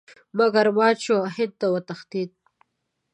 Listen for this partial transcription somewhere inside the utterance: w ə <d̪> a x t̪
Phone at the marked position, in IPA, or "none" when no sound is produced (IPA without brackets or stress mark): t̪